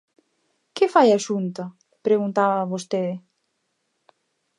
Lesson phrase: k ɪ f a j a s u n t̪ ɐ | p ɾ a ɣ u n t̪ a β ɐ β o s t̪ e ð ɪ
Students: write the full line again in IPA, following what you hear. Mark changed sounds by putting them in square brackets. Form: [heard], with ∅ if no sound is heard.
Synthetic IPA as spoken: k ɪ f a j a [ʃ] u n t̪ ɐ | p ɾ [e] ɣ u n t̪ a β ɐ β o s t̪ e ð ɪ